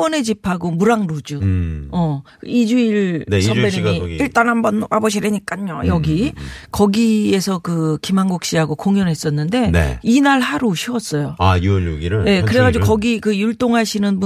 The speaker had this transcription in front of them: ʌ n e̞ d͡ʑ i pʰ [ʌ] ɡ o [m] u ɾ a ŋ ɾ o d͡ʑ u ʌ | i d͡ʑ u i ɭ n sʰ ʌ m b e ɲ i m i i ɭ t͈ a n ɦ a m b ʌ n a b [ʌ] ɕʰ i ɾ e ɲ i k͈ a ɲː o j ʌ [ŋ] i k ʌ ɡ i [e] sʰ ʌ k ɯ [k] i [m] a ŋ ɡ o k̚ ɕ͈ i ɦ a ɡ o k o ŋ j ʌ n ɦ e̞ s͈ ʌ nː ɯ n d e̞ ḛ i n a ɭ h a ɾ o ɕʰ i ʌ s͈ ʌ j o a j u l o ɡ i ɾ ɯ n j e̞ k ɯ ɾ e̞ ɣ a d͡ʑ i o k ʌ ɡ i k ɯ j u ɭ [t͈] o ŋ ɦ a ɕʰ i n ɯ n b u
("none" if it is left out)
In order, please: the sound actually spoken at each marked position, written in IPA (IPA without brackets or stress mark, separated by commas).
a, m, ʌ, ɡ, e, k, m, t͈